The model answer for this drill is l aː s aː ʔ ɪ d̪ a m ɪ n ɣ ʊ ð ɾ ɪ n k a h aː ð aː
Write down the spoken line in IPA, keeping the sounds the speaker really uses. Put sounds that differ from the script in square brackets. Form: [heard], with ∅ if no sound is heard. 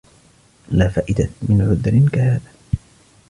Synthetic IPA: l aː [f] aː ʔ ɪ d̪ a m ɪ n [ʕ] ʊ ð ɾ ɪ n k a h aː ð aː

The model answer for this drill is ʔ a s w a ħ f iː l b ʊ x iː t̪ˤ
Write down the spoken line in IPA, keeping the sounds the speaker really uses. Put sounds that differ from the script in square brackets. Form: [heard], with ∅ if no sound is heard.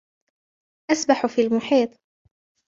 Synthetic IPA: ʔ a s [b] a ħ f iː l [m] ʊ [ħ] iː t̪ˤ

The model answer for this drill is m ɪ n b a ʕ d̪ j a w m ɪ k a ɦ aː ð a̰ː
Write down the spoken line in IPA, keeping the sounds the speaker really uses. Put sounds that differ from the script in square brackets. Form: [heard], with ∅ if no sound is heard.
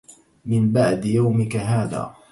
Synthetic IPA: m ɪ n b a ʕ d̪ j a w m ɪ k a ɦ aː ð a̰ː

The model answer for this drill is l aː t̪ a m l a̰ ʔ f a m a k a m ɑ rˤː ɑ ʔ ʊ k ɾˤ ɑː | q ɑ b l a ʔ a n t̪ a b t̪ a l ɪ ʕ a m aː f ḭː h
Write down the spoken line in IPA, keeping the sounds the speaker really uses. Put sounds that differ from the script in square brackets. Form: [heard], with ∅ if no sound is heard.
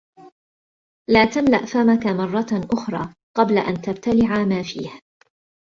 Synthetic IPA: l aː t̪ a m l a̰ ʔ f a m a k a m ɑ rˤː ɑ ʔ ʊ [x] ɾˤ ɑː | q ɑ b l a ʔ a n t̪ a b t̪ a l ɪ ʕ a m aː f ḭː h

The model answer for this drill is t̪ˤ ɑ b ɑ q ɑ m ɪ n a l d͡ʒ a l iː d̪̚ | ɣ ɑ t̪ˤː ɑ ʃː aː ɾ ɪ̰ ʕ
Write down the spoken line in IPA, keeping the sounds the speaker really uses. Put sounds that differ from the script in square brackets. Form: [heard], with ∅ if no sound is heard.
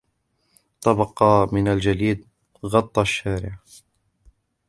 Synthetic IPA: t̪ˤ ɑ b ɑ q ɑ m ɪ n a l d͡ʒ a l iː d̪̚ | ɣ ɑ t̪ˤː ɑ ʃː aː ɾ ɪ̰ ʕ

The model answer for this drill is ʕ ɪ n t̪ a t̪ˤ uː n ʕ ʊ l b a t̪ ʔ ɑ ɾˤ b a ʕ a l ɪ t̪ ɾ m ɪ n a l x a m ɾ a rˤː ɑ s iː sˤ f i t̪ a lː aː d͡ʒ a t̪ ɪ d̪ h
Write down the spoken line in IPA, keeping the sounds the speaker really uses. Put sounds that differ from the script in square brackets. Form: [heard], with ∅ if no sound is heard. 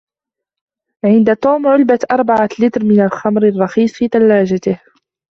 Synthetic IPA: ʕ ɪ n [d̪] a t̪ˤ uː [m] ʕ ʊ l b a t̪ ʔ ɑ ɾˤ b a ʕ a l ɪ t̪ ɾ m ɪ n a l x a m ɾ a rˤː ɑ [x] iː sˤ f [iː] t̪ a lː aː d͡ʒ a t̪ ɪ [∅] h

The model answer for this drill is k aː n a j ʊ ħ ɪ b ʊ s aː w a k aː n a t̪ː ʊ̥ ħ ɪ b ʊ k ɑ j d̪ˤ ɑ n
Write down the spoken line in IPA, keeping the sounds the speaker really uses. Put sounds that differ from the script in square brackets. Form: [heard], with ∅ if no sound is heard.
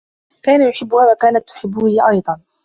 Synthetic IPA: k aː n a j ʊ ħ ɪ [bː] ʊ [h] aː w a k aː n a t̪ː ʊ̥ ħ ɪ [bː] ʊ [ʔ] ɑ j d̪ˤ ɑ n

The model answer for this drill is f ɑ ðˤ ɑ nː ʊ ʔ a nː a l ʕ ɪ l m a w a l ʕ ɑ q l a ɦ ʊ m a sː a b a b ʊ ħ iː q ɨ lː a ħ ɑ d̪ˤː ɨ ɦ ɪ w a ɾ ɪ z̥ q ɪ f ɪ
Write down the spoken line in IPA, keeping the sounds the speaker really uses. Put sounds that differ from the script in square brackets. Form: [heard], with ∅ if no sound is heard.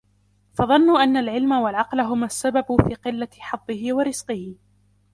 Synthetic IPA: f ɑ ðˤ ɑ nː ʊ ʔ a nː a l ʕ ɪ l m a w a l ʕ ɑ q l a ɦ ʊ m a sː a b a b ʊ [f] iː q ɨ lː a ħ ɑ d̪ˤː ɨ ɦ ɪ w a ɾ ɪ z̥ q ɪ [h] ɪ

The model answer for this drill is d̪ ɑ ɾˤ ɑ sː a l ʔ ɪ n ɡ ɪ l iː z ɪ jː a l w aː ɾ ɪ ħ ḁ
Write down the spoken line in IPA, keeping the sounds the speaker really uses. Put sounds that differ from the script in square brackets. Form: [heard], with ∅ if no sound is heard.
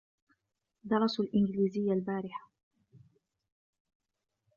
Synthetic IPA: d̪ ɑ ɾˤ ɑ [s] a l ʔ ɪ n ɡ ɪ l iː z ɪ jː a l [b] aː ɾ ɪ ħ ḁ

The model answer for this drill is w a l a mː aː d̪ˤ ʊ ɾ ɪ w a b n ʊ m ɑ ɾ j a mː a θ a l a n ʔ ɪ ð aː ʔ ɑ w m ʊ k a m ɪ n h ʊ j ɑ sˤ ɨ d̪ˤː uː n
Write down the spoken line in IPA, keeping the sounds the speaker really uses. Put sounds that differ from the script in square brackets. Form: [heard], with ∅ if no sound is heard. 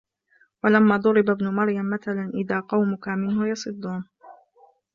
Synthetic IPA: w a l a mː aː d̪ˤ ʊ ɾ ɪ [b] a b n ʊ m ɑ ɾ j a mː a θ a l a n ʔ ɪ ð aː [q] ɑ w m ʊ k a m ɪ n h ʊ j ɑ sˤ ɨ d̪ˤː uː n

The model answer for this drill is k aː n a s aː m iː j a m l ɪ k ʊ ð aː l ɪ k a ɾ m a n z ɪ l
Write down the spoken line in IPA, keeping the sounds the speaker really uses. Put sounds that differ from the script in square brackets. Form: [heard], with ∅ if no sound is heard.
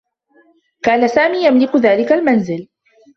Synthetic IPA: k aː n a s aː m iː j a m l ɪ k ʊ ð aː l ɪ k a [l] m a n z ɪ l

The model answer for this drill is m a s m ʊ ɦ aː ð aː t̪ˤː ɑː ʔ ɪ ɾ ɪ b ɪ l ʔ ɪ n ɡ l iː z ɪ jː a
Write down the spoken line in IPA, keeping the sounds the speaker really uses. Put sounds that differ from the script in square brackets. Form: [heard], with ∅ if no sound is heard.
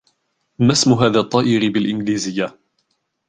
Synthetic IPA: m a s m ʊ ɦ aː ð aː t̪ˤː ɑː ʔ ɪ ɾ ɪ b ɪ l ʔ ɪ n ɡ l iː z ɪ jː a

